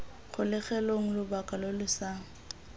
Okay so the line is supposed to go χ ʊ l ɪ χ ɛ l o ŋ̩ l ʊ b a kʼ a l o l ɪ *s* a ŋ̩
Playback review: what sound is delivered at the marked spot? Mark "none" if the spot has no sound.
s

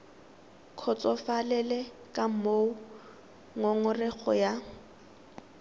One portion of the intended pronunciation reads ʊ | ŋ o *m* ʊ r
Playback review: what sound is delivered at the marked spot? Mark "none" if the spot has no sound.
ŋ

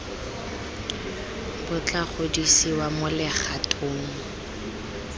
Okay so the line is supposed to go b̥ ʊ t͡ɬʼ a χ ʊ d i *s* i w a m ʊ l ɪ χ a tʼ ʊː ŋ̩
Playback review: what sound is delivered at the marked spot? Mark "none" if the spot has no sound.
s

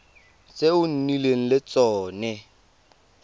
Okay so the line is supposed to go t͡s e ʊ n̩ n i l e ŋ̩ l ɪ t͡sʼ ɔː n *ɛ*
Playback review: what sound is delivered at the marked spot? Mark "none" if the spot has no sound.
ɛ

